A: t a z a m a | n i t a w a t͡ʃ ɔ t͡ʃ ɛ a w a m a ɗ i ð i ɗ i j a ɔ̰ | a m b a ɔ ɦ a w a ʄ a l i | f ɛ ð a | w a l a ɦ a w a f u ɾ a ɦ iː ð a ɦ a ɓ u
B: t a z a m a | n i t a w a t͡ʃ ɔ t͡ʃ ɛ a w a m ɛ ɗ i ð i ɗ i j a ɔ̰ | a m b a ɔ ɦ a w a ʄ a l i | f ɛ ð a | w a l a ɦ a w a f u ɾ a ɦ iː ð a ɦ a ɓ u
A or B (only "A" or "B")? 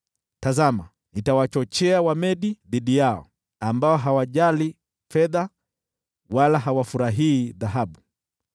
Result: B